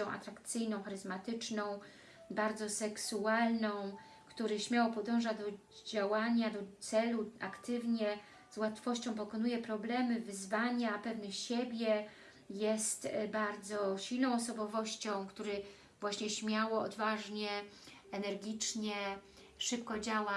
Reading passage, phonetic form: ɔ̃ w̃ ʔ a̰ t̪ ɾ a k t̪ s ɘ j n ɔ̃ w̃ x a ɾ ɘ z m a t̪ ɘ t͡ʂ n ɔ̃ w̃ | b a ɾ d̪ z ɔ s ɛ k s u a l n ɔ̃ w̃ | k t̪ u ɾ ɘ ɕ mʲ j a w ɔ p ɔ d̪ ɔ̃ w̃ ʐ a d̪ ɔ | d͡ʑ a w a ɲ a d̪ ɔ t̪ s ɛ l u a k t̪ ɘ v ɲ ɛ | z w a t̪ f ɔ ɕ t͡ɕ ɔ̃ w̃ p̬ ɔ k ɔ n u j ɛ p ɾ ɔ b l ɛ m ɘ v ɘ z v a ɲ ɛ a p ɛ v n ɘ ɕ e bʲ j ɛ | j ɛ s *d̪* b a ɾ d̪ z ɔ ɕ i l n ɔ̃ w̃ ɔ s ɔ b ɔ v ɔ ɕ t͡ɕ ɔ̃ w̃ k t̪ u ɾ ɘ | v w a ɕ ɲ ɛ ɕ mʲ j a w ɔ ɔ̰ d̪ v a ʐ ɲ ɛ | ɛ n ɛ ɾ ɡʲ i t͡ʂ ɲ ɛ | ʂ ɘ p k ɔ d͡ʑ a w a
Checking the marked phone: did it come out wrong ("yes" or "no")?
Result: yes